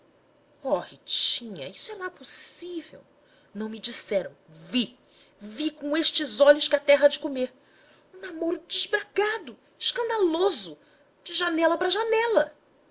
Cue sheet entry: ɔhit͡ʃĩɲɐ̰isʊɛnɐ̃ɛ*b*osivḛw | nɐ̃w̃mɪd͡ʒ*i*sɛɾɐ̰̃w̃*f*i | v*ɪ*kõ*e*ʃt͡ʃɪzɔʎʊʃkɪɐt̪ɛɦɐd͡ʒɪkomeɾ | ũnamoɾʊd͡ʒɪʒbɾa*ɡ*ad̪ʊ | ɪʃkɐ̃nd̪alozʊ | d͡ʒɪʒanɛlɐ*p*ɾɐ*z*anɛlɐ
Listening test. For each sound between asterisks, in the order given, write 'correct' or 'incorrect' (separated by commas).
incorrect, correct, incorrect, incorrect, correct, correct, correct, incorrect